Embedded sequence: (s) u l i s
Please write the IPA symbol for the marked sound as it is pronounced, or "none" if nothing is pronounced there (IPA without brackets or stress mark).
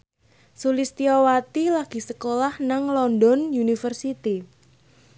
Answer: s